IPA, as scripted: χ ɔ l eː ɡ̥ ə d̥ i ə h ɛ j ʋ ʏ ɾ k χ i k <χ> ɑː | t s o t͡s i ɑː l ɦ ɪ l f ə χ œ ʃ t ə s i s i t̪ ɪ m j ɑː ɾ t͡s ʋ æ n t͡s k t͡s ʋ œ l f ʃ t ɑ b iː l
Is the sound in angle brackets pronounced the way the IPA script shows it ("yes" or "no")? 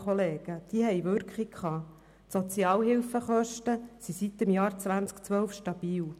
yes